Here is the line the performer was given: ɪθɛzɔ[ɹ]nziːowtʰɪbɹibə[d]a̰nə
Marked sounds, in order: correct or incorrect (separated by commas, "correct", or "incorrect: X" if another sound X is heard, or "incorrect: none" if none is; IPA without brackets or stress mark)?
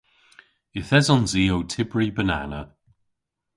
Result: incorrect: none, incorrect: n